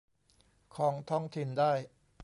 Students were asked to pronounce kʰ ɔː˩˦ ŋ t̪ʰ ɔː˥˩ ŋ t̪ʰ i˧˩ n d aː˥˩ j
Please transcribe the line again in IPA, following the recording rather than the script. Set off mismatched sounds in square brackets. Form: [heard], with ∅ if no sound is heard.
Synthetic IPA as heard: kʰ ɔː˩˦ ŋ t̪ʰ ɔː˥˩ ŋ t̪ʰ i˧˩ n d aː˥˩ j